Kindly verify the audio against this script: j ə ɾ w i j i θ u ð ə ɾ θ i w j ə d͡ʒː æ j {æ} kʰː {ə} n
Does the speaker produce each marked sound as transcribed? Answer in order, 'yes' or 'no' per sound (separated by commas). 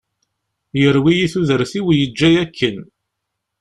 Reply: yes, yes